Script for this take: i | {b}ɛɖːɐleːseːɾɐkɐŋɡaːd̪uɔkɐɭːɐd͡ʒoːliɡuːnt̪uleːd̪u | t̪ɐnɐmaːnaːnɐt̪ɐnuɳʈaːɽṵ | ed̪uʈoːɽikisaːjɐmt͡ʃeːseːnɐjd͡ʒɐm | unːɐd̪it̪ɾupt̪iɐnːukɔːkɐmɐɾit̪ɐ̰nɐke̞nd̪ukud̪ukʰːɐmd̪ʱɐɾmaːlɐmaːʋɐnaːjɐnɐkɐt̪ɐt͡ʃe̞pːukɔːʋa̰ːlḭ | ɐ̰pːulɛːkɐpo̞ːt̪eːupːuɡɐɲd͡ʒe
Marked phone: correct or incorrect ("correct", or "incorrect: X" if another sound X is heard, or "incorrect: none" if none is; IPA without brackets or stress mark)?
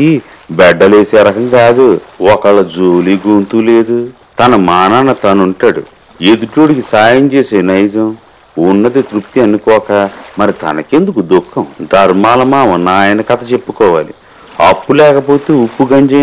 correct